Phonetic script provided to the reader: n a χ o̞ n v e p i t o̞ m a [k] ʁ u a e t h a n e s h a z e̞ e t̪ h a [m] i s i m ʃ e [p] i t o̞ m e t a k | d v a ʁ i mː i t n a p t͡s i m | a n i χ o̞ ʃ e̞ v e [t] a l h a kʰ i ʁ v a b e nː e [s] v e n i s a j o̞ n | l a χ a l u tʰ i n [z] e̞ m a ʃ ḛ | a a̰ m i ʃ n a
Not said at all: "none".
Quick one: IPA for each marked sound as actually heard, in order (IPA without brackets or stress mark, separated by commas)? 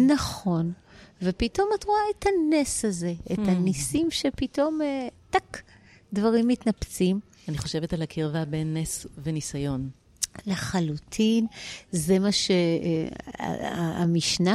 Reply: t, n, p, t, s, z